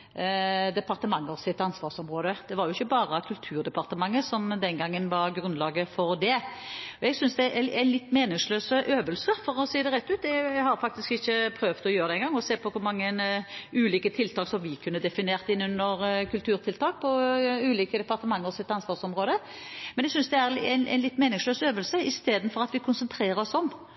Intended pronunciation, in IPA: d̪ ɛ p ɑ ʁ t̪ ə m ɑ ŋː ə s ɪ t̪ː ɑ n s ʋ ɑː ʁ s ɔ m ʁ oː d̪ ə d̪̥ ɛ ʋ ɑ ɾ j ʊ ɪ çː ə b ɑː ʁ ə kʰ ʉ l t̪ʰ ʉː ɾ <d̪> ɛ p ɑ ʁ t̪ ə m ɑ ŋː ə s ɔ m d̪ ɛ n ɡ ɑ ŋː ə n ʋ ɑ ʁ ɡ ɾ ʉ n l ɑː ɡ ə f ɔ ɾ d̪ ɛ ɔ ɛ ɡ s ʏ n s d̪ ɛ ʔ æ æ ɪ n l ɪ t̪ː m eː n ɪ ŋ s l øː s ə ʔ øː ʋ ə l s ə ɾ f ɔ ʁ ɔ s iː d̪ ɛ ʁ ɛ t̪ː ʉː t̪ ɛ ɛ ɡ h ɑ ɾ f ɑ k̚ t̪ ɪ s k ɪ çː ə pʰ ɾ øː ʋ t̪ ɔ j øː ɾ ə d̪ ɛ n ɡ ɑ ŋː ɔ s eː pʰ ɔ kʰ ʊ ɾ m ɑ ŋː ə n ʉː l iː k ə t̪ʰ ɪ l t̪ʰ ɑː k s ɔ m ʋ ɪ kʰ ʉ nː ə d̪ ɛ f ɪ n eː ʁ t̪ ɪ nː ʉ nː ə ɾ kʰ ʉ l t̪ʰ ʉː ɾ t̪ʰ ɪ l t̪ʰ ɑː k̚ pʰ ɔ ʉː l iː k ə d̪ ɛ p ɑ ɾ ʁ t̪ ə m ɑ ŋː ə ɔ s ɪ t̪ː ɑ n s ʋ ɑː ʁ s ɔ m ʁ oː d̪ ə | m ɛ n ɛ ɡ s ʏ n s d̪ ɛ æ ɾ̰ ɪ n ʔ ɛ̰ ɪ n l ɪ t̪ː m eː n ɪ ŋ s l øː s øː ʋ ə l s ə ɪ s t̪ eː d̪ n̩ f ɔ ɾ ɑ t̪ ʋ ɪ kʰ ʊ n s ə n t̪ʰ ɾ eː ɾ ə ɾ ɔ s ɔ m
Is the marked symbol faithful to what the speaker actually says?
yes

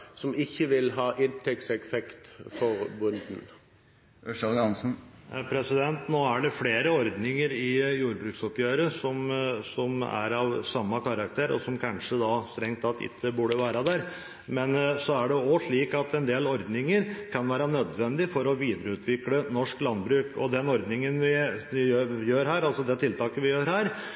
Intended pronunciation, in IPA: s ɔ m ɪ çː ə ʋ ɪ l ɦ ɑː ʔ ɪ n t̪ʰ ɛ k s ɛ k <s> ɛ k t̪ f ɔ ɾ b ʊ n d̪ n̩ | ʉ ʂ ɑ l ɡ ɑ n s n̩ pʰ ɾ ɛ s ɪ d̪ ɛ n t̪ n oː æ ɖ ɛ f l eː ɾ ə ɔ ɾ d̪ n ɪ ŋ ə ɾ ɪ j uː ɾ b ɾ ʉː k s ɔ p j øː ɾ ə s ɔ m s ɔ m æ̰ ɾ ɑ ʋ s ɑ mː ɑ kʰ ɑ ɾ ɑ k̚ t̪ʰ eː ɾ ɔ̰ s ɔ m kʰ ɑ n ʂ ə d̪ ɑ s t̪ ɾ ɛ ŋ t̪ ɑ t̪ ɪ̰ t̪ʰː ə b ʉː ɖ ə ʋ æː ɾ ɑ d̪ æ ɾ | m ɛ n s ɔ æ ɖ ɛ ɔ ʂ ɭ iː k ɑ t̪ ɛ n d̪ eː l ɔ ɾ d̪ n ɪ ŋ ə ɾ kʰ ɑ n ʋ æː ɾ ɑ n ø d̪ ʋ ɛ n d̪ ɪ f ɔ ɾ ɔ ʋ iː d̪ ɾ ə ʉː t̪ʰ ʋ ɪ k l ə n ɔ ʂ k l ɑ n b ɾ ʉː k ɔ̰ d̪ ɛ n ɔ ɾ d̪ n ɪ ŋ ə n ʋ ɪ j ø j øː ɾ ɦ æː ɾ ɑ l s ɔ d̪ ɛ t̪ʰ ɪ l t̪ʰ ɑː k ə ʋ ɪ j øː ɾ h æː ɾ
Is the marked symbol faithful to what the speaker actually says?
no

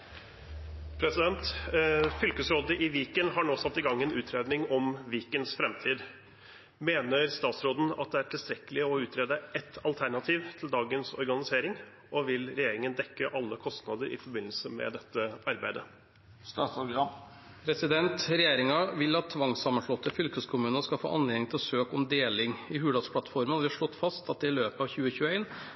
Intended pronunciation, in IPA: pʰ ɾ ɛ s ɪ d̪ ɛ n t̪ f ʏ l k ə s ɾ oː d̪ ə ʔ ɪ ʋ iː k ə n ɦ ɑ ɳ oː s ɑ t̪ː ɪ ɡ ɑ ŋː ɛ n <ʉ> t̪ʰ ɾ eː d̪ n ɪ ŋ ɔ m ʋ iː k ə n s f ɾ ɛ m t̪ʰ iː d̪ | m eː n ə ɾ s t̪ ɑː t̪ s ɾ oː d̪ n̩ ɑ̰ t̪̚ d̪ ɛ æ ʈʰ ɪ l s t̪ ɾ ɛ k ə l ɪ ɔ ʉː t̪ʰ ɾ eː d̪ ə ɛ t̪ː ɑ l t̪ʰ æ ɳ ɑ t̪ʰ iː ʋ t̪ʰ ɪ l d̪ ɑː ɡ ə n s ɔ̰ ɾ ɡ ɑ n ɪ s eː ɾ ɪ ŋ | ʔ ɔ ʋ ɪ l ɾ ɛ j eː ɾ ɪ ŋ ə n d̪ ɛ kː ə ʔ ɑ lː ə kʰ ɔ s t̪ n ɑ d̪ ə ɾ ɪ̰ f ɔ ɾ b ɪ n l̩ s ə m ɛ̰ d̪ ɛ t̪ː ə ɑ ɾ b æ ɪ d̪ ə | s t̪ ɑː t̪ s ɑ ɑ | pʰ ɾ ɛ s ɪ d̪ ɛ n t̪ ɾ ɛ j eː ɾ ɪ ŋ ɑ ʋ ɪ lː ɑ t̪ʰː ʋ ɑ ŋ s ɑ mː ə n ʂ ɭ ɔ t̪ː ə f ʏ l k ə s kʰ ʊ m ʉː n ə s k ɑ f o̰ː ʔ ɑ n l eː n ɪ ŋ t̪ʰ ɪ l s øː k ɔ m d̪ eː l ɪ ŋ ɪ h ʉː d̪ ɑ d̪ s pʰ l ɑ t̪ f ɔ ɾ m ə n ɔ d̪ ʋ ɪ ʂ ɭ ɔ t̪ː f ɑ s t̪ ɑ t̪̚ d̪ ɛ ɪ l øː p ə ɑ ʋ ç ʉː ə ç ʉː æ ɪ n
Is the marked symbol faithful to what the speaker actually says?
no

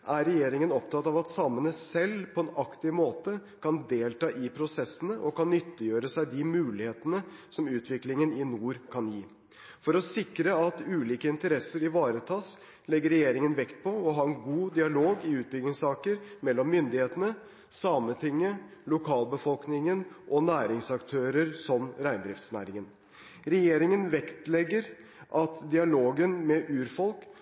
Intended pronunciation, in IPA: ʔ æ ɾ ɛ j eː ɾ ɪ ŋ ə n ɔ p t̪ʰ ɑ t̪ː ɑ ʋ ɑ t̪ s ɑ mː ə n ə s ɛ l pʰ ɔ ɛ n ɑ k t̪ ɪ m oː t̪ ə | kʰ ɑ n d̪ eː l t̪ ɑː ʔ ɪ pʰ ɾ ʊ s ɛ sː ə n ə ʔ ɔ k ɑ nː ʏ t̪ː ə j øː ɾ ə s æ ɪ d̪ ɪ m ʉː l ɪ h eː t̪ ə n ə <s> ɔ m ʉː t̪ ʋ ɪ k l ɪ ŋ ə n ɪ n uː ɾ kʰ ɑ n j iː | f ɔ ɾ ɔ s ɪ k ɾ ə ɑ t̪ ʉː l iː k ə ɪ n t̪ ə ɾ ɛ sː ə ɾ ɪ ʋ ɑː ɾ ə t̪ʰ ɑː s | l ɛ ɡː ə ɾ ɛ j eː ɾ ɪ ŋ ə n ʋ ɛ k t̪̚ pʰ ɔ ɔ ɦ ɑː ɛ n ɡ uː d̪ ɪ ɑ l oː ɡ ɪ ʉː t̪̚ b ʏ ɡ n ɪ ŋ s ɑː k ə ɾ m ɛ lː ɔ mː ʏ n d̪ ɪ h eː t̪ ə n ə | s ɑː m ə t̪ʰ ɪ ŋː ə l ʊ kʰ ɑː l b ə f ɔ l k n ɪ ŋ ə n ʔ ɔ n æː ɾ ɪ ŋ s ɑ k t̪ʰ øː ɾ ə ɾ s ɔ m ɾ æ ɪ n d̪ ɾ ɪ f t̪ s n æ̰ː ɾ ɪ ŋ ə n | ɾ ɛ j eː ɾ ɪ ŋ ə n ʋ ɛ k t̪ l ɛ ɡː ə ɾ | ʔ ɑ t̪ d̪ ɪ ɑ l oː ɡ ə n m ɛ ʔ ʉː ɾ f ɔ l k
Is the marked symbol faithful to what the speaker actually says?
yes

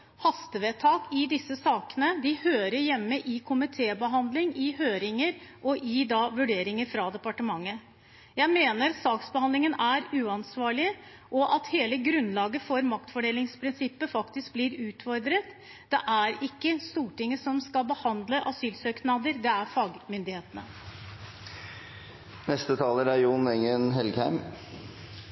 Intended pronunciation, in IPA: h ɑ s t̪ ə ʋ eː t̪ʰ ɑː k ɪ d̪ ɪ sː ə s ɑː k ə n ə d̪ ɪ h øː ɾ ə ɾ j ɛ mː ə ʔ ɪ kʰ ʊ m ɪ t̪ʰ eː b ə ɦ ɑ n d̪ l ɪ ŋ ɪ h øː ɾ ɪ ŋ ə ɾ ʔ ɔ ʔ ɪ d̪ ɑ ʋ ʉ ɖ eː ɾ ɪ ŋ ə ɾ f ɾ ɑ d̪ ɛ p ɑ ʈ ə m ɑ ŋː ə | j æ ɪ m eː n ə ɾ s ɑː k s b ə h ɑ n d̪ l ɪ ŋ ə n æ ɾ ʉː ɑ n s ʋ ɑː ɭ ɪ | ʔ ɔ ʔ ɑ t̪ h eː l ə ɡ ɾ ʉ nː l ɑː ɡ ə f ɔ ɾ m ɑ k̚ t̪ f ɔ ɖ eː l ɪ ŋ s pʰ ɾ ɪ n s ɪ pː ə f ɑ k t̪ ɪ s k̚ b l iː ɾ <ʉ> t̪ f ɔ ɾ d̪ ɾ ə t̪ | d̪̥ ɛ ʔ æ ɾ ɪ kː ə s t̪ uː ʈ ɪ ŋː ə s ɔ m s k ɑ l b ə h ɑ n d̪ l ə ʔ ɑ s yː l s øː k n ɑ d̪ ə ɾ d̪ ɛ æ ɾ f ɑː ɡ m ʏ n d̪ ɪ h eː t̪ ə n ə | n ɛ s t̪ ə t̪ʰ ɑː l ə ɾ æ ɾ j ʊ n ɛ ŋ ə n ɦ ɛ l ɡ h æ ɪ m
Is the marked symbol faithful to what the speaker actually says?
no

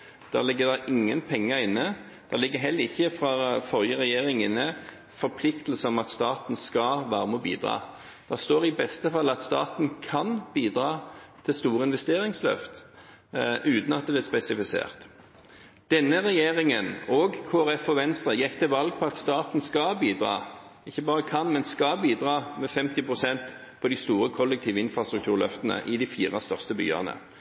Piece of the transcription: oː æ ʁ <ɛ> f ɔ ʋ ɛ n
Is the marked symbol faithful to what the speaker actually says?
yes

